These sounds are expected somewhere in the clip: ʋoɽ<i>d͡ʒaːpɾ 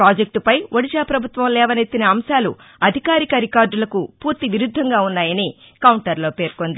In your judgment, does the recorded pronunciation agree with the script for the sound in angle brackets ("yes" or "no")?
yes